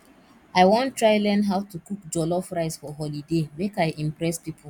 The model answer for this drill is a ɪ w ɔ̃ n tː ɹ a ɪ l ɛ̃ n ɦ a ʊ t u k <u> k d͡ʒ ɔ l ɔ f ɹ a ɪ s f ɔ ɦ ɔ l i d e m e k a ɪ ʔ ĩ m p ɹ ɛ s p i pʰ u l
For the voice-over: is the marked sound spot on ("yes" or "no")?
yes